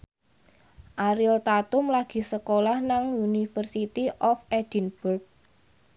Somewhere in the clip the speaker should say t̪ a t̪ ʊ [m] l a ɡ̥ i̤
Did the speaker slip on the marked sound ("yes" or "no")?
no